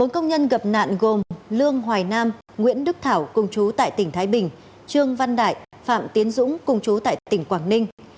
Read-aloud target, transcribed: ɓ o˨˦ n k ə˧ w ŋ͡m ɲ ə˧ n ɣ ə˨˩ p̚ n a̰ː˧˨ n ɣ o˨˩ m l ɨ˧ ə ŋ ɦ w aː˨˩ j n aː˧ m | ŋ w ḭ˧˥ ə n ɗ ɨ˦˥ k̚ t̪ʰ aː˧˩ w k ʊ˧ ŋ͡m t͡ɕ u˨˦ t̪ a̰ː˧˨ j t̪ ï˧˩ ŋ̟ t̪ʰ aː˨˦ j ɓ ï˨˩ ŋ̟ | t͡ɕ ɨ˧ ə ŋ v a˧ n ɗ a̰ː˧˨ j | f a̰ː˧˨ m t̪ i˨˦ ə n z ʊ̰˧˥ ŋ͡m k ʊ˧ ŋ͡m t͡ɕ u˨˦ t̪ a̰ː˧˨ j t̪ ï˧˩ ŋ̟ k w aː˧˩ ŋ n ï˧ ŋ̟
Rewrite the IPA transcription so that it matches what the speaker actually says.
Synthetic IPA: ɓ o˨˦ n k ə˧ w ŋ͡m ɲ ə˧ n ɣ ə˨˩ p̚ n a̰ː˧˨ n ɣ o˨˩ m l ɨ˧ ə ŋ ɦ w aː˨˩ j n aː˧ m | ŋ w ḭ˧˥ ə n ɗ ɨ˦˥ k̚ t̪ʰ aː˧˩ w k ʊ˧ ŋ͡m t͡ɕ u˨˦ t̪ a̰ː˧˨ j t̪ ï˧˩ ŋ̟ t̪ʰ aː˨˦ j ɓ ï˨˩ ŋ̟ | t͡ɕ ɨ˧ ə ŋ v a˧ n ɗ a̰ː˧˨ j | f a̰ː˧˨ m t̪ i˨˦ ə n z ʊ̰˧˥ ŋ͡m k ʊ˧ ŋ͡m t͡ɕ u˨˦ t̪ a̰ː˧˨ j t̪ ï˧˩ ŋ̟ k w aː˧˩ ŋ n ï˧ ŋ̟